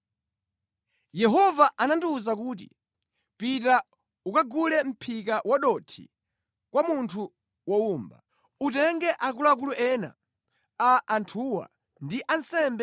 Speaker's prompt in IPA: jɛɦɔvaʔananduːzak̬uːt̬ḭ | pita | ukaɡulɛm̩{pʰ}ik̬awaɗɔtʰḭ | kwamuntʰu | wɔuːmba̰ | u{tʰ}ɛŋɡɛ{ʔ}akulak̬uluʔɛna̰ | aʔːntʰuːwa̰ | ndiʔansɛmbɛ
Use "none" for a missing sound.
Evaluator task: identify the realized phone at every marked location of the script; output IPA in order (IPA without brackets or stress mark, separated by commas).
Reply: pʰ, t, ʔ